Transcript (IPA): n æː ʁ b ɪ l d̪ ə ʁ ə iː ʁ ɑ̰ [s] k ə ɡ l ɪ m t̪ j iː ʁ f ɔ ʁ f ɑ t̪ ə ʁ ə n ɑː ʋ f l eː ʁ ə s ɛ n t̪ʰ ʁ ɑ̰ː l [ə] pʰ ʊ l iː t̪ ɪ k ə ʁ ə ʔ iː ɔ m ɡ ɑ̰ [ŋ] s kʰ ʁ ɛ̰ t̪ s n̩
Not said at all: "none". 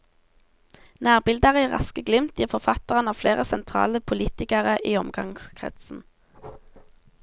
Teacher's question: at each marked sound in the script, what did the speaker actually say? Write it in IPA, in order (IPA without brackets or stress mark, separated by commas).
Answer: s, ə, ŋ